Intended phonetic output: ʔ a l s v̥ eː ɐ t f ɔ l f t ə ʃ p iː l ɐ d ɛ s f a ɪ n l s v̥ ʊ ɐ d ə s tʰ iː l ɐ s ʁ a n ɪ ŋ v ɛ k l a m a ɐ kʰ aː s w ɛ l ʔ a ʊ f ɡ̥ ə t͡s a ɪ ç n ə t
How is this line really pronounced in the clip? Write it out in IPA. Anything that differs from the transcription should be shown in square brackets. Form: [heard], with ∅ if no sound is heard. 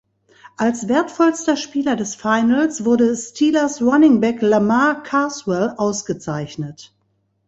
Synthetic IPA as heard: ʔ a l s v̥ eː ɐ t f ɔ l [s] t [ɐ] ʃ p iː l ɐ d ɛ s f a ɪ n l s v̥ ʊ ɐ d ə s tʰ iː l ɐ s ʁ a n ɪ ŋ [b] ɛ k l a m a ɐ kʰ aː s w ɛ l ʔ a ʊ [s] ɡ̥ ə t͡s a ɪ ç n ə t